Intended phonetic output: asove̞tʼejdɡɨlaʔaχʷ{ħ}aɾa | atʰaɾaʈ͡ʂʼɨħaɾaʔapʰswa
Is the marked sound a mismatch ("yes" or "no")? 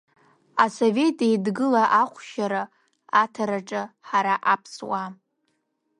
yes